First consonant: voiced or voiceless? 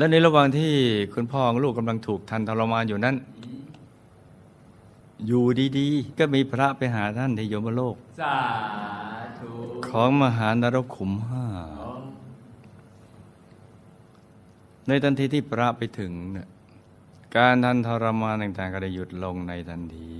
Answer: voiced